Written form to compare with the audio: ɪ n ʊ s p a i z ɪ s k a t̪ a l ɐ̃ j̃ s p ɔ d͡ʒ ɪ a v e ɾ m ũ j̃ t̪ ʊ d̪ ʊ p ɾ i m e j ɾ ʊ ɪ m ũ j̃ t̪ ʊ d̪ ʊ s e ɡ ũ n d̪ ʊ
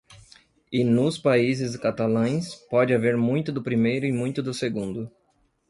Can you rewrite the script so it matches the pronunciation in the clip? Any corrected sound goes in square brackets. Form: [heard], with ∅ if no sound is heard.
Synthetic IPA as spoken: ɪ n ʊ s p a i z ɪ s k a t̪ a l ɐ̃ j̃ s p ɔ d͡ʒ ɪ a v e ɾ m ũ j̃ t̪ ʊ d̪ ʊ p ɾ i m e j ɾ ʊ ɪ m ũ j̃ t̪ ʊ d̪ ʊ s e ɡ ũ n d̪ ʊ